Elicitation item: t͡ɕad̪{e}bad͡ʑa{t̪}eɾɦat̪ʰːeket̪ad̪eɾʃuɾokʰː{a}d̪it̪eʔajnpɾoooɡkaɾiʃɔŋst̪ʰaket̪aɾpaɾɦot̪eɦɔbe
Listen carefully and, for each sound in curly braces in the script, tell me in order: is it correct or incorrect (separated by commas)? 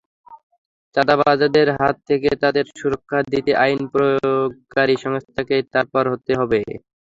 incorrect, incorrect, correct